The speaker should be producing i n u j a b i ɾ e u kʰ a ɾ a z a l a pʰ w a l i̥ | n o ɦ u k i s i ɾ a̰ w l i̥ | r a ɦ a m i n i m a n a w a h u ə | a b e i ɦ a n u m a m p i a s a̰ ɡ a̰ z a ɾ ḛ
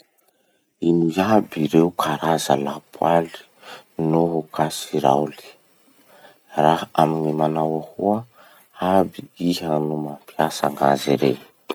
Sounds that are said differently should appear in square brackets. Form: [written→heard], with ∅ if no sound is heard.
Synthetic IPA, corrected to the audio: i n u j a b i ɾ e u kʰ a ɾ a z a l a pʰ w a l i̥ | n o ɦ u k [i→a] s i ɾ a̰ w l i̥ | r a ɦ a m i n i m a n a w a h u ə | a b [e→i] i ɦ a n u m a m p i a s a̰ [ɡ→ŋ] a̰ z [a→i] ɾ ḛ

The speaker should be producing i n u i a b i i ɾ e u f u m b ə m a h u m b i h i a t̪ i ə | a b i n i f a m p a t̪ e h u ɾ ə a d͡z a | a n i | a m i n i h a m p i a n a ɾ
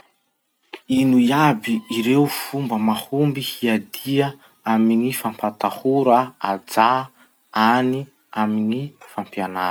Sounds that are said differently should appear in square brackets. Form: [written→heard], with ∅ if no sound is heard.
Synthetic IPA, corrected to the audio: i n u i a b i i ɾ e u f u m b ə m a h u m b i h i a [t̪→d̪] i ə | a [b→m] i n i f a m p a t̪ [e→a] h u ɾ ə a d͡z a | a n i | a m i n i [h→f] a m p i a n a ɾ

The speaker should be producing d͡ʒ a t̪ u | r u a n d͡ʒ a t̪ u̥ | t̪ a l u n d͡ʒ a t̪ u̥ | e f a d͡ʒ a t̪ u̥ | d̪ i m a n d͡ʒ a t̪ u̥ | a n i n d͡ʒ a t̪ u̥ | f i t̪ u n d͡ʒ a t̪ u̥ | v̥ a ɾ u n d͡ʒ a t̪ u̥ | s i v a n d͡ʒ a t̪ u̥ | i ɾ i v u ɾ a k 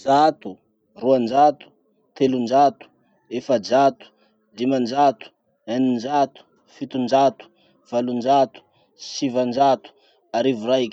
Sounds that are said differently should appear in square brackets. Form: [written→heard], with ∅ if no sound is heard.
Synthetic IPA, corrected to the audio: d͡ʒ a t̪ u | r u a n d͡ʒ a t̪ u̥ | t̪ [a→e] l u n d͡ʒ a t̪ u̥ | e f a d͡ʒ a t̪ u̥ | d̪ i m a n d͡ʒ a t̪ u̥ | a n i n d͡ʒ a t̪ u̥ | f i t̪ u n d͡ʒ a t̪ u̥ | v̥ a [ɾ→l] u n d͡ʒ a t̪ u̥ | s i v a n d͡ʒ a t̪ u̥ | [i→a] ɾ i v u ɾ a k

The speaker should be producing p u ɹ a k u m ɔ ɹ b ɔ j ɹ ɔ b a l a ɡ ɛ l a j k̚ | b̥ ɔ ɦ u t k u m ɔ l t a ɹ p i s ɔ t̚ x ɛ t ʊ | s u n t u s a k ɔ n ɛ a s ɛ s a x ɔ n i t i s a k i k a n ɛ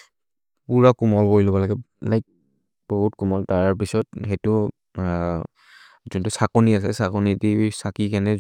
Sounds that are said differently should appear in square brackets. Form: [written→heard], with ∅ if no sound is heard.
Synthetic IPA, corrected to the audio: p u ɹ a k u m ɔ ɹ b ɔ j [ɹ→l] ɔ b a l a ɡ ɛ l a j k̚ | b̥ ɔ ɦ u t k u m ɔ l t a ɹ p i s ɔ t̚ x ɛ t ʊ | [s→z] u n t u s a k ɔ n [ɛ→i] a s ɛ s a [x→k] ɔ n i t i s a k i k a n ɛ

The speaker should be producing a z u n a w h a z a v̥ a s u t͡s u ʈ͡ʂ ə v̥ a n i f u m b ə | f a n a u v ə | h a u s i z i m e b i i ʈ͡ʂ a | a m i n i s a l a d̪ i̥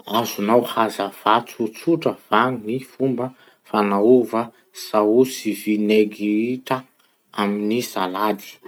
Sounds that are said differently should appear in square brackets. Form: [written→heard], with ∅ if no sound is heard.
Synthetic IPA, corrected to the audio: a z u n a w h a z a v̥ a [s→t͡s] u t͡s u ʈ͡ʂ ə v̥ a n i f u m b ə | f a n a u v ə | [h→s] a u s i [z→v] i [m→n] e [b→ɡ] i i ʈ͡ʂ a | a m i n i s a l a d̪ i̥

